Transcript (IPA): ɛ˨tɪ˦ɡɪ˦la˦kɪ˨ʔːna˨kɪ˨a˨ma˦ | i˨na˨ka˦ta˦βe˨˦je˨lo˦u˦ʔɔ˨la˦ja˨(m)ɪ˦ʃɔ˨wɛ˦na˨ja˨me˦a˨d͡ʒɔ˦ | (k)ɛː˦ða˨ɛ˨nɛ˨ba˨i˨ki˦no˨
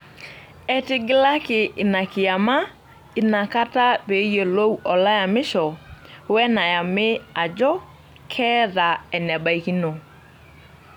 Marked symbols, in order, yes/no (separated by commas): yes, no